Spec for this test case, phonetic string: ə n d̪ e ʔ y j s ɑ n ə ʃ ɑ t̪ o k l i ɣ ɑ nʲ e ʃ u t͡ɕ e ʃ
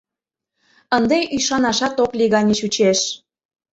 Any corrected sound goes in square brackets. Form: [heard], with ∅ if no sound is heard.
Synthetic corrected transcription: ə n d̪ e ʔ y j [ʃ] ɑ n [ɑ] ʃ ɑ t̪ o k l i ɣ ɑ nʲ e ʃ u t͡ɕ e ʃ